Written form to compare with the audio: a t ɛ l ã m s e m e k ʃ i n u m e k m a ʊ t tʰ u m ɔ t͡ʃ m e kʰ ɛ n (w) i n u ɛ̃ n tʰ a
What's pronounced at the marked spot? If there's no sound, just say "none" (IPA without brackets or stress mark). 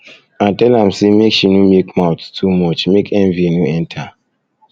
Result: v